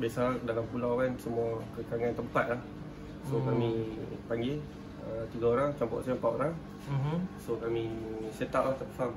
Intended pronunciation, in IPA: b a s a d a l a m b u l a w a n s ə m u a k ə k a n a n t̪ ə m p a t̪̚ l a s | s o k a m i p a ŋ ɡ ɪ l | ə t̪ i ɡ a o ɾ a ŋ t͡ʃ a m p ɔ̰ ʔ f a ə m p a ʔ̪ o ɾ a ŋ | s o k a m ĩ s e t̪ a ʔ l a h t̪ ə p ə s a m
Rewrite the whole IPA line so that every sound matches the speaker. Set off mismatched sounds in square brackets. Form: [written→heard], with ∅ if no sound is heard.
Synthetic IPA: b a s a d a l a m [b→p] u l a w a n s ə m u a k ə k a [n→ŋ] a n t̪ ə m p a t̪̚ l a [s→h] | s o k a m i p a ŋ ɡ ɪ l | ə t̪ i ɡ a o ɾ a ŋ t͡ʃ a m p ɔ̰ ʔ [f→s] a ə m p a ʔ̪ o ɾ a ŋ | s o k a m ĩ s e t̪ a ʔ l a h t̪ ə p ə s a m